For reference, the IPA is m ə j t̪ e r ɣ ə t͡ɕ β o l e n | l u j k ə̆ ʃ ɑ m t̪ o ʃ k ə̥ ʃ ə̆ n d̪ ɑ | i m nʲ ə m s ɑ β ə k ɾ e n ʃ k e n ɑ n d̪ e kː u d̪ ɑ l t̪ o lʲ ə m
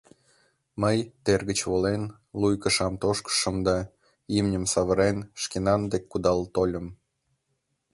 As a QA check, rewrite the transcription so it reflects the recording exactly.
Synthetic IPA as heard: m ə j t̪ e r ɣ ə t͡ɕ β o l e n | l u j k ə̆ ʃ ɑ m t̪ o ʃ k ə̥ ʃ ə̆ m d̪ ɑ | i m nʲ ə m s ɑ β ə ɾ e n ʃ k e n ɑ n d̪ e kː u d̪ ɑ l t̪ o lʲ ə m